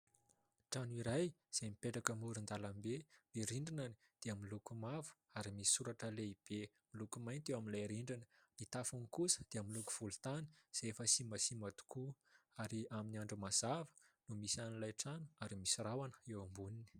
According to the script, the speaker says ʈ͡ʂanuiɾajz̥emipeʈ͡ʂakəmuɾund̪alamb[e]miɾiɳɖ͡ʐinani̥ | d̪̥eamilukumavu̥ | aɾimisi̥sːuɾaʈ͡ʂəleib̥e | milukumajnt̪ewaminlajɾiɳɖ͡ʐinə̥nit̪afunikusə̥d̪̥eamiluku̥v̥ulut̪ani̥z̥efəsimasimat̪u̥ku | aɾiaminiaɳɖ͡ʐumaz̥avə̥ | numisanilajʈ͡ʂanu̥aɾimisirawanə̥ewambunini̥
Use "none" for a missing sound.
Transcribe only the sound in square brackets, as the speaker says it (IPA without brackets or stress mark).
e